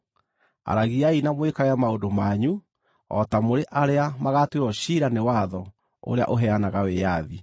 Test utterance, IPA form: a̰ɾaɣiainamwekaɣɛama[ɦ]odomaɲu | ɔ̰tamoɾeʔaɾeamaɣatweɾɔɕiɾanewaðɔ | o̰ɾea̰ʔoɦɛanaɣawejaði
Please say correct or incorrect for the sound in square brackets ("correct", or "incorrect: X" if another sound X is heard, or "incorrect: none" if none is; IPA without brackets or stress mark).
incorrect: none